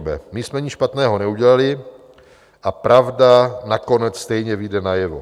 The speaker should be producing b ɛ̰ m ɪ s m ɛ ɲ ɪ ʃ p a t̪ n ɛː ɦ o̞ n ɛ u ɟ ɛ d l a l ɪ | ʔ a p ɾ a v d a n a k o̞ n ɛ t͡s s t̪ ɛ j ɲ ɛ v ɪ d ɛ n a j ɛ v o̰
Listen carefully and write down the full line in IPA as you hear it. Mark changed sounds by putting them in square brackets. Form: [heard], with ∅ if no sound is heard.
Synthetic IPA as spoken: b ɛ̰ m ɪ s m ɛ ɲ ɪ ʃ p a t̪ n ɛː ɦ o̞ n ɛ u ɟ ɛ [∅] l a l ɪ | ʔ a p ɾ a v d a n a k o̞ n ɛ t͡s s t̪ ɛ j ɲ ɛ v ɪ d ɛ n a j ɛ v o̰